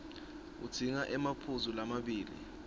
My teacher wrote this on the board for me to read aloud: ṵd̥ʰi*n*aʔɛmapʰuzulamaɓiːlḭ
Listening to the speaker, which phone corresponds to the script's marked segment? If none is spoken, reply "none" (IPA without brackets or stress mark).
ŋ